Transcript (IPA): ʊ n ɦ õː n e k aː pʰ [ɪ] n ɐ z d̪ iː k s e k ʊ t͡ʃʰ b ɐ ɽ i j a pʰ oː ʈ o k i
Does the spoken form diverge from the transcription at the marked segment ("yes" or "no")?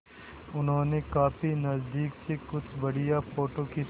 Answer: yes